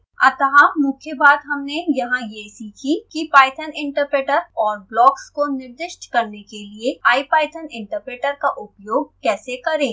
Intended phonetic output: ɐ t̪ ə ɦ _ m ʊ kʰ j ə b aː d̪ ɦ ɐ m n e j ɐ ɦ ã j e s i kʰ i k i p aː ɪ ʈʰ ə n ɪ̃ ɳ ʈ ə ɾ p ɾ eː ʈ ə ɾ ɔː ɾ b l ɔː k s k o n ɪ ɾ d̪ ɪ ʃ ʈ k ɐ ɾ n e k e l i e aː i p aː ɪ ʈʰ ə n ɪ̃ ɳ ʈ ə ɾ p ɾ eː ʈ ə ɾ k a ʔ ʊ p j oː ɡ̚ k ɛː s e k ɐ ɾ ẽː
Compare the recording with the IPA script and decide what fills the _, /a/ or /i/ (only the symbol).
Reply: a